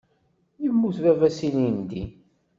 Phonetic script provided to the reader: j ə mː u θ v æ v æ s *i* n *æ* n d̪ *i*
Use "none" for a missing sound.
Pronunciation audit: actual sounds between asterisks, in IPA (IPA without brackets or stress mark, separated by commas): i, i, i